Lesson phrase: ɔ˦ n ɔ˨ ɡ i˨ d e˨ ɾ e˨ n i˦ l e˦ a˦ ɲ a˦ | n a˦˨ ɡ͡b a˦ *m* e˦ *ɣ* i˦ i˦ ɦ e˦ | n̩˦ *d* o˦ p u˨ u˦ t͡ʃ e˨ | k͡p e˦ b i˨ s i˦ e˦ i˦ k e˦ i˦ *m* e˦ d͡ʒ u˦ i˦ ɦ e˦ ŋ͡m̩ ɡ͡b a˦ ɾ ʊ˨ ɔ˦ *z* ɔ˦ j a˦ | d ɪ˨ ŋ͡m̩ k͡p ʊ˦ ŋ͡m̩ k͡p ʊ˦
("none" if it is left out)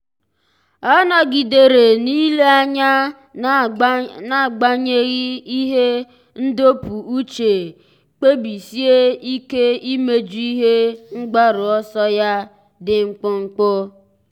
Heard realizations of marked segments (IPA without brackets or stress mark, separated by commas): ɲ, ɣ, d, m, s